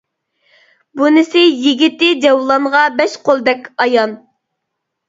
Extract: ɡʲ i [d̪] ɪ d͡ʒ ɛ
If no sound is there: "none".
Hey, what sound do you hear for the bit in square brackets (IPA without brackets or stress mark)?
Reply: t̪